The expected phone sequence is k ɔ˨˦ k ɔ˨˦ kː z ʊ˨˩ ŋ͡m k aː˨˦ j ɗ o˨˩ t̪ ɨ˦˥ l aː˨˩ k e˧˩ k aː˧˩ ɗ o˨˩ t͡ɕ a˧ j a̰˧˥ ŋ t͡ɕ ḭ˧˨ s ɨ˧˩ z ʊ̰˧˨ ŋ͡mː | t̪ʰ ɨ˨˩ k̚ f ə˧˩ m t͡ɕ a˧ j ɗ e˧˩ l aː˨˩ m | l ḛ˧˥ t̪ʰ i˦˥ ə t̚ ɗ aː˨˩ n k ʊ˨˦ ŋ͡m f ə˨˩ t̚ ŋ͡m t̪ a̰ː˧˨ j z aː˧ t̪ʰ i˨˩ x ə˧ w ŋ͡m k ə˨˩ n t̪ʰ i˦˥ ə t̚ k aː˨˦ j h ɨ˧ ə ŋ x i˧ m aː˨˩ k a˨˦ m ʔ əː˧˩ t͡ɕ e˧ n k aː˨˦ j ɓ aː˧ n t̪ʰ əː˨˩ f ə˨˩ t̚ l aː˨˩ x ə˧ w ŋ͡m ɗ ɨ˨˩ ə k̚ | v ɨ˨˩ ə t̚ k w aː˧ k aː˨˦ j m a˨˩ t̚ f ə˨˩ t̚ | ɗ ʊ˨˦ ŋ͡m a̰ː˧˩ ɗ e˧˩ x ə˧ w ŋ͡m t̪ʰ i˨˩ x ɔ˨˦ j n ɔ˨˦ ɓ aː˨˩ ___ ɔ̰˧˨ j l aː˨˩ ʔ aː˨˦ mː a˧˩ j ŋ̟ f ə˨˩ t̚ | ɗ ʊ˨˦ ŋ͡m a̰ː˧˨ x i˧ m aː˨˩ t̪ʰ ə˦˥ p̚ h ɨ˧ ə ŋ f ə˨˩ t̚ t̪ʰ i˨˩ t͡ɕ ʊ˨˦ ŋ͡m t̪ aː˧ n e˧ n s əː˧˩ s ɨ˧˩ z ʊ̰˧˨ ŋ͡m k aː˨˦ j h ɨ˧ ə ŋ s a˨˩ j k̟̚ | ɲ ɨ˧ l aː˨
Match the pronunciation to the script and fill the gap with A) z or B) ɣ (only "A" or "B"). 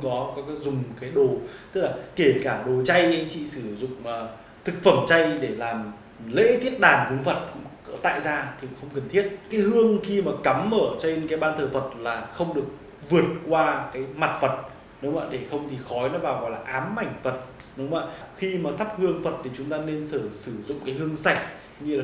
B